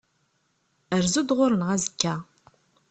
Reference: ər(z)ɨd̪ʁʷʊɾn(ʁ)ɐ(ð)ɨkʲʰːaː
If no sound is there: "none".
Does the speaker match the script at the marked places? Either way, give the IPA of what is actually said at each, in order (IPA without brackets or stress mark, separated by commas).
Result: z, ʁ, z